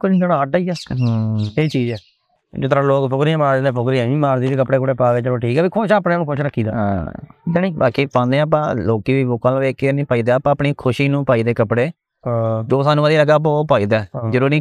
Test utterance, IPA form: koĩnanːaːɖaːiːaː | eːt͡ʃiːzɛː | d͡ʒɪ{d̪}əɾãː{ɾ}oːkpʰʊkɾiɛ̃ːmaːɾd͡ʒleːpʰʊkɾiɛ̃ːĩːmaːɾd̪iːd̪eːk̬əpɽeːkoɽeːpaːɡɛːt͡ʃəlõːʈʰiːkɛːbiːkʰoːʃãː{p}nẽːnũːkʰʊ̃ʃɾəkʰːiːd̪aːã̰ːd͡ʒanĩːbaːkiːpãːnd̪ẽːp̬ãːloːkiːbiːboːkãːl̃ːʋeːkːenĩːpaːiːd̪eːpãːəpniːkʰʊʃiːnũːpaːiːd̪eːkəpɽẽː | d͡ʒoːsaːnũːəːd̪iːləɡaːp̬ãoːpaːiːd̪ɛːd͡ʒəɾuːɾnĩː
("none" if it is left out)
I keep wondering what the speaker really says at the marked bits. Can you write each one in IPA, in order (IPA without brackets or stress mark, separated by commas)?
t̪, l, p